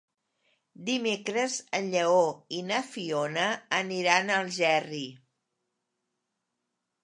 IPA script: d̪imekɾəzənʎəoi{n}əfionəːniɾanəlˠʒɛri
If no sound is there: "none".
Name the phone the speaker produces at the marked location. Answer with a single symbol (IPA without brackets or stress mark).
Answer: n